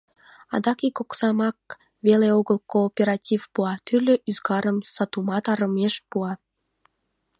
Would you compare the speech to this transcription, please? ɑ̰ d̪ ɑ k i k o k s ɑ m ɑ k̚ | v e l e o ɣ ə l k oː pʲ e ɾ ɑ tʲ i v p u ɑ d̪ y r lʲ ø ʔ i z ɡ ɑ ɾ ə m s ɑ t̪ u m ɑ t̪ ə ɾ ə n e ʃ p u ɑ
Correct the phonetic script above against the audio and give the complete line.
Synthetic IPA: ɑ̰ d̪ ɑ k i k o k s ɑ m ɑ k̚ | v e l e o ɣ ə l k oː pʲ e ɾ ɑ tʲ i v p u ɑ t̪ y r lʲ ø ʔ y z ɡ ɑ ɾ ə m s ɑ t̪ u m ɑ t̪ ɑ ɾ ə m e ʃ p u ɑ